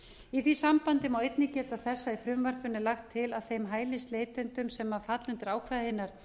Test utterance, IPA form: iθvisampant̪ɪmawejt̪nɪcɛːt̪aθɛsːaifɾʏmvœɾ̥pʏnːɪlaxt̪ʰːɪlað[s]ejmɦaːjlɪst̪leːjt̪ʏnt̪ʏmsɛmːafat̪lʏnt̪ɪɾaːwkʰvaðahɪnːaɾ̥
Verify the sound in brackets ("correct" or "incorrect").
incorrect